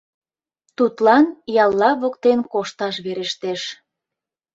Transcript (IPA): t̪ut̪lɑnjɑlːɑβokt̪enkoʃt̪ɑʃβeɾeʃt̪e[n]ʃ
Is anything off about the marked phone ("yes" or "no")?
yes